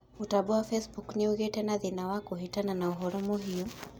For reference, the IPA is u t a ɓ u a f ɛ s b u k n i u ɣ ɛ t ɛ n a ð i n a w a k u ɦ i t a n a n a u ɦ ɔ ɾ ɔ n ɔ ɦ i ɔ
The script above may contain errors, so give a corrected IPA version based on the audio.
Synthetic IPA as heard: u t a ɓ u a f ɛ s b u k n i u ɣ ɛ t ɛ n a ð i n a w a k u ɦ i t a n a n a u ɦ ɔ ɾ ɔ m ɔ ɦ i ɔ